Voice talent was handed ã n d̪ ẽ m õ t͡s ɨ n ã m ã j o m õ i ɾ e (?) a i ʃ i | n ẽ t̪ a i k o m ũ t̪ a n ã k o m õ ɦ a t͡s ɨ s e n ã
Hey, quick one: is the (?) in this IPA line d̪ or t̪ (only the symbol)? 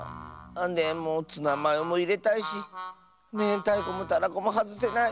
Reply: t̪